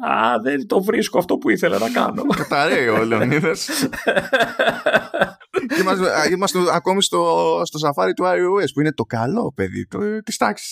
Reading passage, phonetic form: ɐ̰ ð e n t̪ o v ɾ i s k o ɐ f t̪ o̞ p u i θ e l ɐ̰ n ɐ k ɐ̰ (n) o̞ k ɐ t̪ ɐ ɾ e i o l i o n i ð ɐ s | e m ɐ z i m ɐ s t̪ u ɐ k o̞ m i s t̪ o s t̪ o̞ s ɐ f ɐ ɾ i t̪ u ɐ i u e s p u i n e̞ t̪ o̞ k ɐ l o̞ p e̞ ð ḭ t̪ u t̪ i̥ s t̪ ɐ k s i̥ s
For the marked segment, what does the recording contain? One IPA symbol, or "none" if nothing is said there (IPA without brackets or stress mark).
n